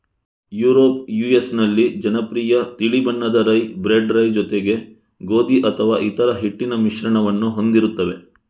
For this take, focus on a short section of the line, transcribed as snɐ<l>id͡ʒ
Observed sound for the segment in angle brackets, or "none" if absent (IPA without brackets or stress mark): lː